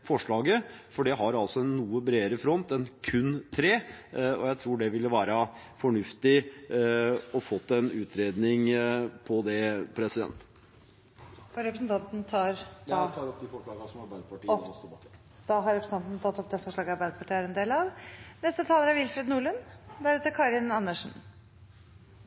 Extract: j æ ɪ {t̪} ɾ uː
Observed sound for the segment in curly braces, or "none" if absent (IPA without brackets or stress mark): t̪ʰ